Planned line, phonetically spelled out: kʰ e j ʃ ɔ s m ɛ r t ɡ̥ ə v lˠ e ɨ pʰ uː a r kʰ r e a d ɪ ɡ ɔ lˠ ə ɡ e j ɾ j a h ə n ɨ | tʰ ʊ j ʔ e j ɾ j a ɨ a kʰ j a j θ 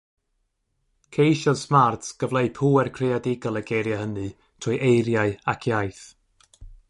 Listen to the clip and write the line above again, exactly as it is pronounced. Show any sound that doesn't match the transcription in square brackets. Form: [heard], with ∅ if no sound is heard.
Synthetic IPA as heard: kʰ e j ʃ ɔ s m [a] r t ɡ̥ ə v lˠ e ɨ pʰ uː [ɛ] r kʰ r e a d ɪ ɡ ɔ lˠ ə ɡ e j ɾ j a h ə n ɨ | tʰ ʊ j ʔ e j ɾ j a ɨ a kʰ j a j θ